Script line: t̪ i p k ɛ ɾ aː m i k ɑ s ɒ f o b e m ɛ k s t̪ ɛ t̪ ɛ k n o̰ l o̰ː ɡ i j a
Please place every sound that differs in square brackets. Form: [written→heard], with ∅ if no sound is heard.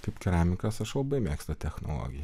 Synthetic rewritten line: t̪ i p k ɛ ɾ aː m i k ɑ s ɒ [f→ʃ] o b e m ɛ k s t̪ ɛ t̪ ɛ [k→x] n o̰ l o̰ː ɡ i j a